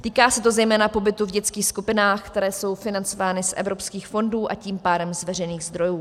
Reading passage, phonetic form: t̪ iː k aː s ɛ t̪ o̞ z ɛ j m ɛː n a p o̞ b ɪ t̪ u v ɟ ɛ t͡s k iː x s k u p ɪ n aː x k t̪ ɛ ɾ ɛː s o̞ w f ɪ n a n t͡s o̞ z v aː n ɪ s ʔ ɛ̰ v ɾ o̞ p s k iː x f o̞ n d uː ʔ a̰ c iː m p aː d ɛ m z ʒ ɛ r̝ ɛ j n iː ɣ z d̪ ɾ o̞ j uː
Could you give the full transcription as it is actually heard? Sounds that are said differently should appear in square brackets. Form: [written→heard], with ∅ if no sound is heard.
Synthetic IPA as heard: t̪ iː k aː s ɛ t̪ o̞ z ɛ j m ɛː n a p o̞ b ɪ t̪ u v ɟ ɛ t͡s k iː x s k u p ɪ n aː x k t̪ ɛ ɾ ɛː s o̞ w f ɪ n a n t͡s o̞ [z→∅] v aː n ɪ s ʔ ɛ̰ v ɾ o̞ p s k iː x f o̞ n d uː ʔ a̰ c iː m p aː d ɛ m z [ʒ→v] ɛ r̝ ɛ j n iː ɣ z d̪ ɾ o̞ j uː